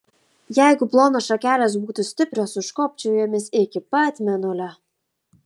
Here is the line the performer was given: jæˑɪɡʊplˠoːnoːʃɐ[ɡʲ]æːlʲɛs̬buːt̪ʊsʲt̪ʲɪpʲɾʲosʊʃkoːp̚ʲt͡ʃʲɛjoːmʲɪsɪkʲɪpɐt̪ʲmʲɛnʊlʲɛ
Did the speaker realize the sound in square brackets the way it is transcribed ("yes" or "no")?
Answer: no